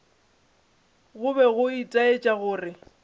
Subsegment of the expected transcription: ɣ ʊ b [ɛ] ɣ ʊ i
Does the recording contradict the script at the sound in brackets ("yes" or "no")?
no